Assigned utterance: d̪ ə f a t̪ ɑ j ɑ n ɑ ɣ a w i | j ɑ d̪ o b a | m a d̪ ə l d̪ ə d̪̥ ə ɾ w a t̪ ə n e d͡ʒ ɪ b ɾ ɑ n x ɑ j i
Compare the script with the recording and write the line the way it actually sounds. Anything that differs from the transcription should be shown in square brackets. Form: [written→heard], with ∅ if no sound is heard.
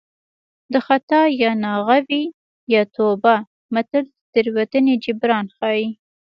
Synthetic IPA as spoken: d̪ ə [f→x] a t̪ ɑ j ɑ n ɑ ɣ a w i | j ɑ [d̪→t̪] o b a | m a [d̪→t̪] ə l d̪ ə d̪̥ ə ɾ w a t̪ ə n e d͡ʒ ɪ b ɾ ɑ n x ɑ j i